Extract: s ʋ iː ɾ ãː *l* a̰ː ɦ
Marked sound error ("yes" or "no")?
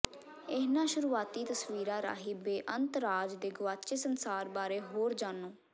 yes